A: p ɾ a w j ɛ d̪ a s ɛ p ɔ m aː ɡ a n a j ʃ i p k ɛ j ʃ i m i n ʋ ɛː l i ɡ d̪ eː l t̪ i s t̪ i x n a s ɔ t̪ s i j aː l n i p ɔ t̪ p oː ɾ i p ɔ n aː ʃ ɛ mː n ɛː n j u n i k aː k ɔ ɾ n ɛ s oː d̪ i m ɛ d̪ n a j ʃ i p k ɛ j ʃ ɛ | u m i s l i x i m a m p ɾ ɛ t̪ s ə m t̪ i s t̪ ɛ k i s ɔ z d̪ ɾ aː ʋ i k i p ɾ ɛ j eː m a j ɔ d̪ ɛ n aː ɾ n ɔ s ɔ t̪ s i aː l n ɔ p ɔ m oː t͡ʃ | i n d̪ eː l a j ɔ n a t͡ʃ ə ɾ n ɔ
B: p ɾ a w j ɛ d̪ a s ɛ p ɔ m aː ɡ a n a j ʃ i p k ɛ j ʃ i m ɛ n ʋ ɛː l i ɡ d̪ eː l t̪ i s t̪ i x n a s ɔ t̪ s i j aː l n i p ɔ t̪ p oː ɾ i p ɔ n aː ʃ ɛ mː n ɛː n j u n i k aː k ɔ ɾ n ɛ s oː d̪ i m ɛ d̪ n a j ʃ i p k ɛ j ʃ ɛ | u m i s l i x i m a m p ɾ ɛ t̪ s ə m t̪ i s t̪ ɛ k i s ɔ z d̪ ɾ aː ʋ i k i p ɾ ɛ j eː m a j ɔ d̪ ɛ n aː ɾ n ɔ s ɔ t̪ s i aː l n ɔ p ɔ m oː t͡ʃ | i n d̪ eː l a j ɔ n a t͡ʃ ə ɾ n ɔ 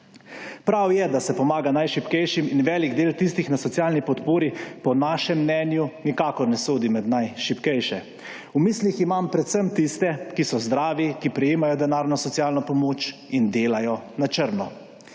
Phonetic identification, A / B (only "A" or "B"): A